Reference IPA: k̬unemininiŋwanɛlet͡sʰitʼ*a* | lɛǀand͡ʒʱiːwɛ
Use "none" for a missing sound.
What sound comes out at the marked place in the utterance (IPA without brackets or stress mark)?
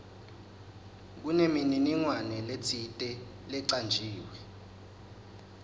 ɛ